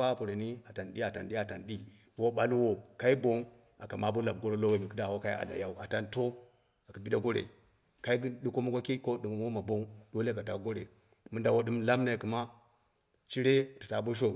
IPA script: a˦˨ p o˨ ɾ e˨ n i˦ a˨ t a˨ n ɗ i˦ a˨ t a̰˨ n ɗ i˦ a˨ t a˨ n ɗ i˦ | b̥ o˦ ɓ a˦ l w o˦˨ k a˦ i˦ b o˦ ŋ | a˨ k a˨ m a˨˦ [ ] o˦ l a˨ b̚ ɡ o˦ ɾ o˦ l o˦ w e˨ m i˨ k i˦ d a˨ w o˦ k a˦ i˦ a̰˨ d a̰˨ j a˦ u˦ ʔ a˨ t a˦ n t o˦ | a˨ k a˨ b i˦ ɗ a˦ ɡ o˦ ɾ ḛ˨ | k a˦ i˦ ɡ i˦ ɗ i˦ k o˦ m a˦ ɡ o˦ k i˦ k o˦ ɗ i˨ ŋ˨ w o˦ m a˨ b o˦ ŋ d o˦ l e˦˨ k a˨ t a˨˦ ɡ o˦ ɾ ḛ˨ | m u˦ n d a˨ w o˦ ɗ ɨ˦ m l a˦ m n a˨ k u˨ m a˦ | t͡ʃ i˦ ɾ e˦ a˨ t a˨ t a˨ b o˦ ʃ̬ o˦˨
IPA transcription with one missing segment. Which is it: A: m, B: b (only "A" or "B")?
B